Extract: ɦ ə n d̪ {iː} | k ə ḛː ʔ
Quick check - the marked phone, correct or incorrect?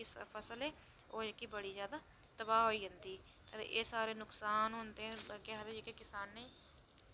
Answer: correct